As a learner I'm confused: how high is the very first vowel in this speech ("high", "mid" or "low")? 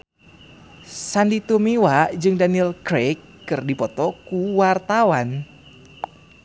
low